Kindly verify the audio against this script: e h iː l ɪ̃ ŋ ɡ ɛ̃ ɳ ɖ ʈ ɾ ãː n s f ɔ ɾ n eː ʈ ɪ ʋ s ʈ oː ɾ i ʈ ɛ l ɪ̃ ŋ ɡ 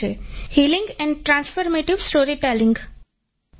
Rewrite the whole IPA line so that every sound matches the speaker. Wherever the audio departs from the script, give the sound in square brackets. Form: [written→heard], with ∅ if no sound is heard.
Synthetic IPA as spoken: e h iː l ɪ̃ ŋ ɡ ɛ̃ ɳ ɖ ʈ ɾ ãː n s f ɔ ɾ [n→m] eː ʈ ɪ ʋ s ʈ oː ɾ i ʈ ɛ l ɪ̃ ŋ ɡ